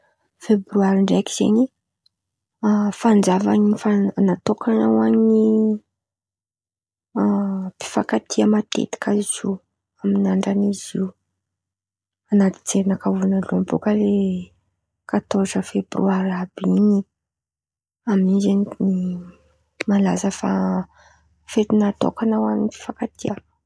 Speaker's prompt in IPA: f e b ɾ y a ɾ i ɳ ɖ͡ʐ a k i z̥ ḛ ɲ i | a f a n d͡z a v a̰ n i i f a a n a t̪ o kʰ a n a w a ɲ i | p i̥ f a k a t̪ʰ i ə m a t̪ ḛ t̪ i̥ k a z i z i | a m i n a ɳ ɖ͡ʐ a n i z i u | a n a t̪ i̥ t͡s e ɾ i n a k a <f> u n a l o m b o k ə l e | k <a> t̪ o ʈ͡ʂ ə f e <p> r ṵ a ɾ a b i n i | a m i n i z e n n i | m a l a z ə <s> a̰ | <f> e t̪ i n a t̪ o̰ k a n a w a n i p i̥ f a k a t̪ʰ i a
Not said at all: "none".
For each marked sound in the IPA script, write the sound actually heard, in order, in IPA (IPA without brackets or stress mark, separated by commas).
v, a, b, f, f